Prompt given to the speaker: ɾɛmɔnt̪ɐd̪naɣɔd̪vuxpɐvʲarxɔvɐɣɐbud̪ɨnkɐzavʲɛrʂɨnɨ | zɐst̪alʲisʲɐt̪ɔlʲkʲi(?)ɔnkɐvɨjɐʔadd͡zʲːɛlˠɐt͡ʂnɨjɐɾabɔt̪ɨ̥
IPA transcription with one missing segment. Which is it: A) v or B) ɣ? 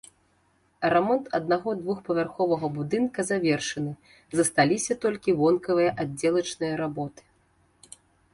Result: A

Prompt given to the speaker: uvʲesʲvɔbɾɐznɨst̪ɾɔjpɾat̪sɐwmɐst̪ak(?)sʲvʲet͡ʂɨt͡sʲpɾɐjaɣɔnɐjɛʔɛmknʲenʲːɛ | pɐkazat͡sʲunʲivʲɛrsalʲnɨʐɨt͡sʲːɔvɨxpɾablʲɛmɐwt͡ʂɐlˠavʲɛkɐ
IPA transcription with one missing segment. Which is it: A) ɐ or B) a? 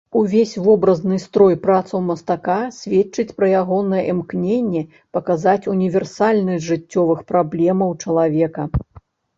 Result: B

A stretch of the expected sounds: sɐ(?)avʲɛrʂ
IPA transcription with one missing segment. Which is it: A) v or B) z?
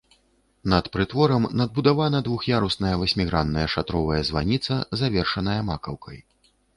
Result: B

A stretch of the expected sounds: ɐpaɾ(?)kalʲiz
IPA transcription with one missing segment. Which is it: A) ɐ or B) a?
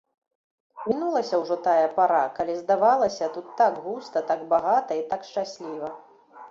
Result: B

